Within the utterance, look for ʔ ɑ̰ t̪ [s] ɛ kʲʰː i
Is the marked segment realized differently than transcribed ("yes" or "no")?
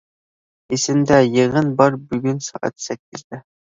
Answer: no